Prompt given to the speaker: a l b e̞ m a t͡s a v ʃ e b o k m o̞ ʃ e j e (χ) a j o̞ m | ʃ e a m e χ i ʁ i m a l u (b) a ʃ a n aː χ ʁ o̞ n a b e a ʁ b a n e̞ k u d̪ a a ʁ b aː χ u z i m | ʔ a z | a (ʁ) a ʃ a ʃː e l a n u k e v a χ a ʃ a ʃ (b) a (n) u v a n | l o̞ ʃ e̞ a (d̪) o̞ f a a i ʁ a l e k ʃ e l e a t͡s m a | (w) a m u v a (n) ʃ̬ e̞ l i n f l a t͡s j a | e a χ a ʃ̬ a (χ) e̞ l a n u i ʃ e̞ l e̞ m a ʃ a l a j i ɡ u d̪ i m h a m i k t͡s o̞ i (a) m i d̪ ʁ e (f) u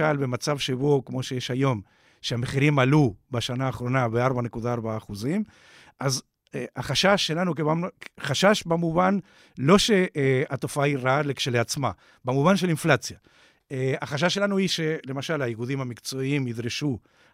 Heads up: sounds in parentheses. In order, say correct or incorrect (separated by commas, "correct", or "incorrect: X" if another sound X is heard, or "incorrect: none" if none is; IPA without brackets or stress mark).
incorrect: ʃ, correct, incorrect: χ, correct, incorrect: m, incorrect: t̪, incorrect: b, correct, incorrect: ʃ, incorrect: i, incorrect: ʃ